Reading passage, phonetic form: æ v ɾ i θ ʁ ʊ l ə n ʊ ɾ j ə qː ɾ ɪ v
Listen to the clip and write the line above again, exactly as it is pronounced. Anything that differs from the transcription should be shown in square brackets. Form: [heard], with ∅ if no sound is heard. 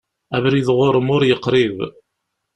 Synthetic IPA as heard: æ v ɾ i [ð] ʁ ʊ [ɾ] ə [m] ʊ ɾ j ə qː ɾ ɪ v